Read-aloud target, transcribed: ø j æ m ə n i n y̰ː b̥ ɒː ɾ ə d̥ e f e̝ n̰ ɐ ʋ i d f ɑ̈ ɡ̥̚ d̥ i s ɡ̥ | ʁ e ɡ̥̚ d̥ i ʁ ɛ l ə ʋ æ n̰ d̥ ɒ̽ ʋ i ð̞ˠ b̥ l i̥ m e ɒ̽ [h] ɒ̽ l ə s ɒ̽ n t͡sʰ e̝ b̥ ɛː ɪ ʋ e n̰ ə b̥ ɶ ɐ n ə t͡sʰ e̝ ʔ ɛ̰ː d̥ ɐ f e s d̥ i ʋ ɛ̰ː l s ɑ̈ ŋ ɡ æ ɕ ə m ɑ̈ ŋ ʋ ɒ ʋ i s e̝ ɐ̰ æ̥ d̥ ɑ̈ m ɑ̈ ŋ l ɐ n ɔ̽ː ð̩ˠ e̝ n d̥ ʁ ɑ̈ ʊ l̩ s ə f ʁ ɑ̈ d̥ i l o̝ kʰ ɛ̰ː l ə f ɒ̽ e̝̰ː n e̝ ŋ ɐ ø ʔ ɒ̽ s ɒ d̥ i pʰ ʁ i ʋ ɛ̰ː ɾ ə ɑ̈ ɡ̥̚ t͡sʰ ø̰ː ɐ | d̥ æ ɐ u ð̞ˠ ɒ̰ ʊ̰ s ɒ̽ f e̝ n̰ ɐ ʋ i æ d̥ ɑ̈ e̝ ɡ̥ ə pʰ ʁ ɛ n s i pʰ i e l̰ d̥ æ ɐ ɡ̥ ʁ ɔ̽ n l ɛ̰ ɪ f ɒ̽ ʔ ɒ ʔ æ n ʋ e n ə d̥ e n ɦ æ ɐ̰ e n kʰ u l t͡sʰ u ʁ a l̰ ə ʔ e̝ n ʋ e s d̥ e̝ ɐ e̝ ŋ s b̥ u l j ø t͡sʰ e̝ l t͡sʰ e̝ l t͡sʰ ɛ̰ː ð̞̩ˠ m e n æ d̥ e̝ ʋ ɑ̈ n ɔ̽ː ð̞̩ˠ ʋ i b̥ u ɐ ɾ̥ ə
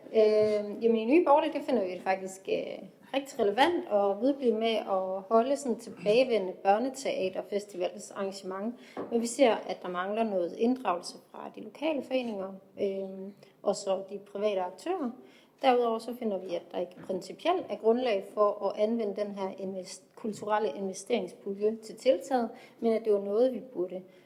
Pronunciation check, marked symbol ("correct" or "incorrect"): correct